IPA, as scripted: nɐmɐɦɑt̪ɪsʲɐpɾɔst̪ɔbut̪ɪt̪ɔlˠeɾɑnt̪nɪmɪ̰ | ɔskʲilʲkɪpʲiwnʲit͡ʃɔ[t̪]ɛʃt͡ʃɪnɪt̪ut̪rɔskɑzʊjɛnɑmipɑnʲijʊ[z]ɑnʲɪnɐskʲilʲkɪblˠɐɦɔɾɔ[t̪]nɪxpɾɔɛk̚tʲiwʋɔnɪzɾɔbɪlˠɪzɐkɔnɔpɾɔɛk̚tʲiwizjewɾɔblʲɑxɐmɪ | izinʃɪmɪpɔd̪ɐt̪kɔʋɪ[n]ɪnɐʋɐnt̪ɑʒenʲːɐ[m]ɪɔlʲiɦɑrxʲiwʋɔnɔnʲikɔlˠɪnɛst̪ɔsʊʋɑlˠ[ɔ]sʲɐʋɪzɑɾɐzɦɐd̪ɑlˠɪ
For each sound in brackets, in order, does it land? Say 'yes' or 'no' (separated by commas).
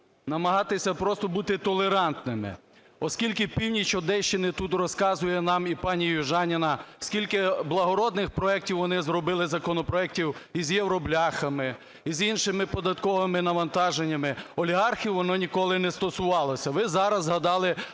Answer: no, no, no, no, yes, yes